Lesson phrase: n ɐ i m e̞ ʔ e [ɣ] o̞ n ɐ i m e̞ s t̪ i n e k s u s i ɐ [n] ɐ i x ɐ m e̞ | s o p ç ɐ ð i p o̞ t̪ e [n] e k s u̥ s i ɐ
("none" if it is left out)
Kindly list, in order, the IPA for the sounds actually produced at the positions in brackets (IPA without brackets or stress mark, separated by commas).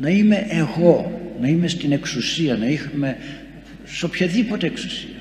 ɣ, n, none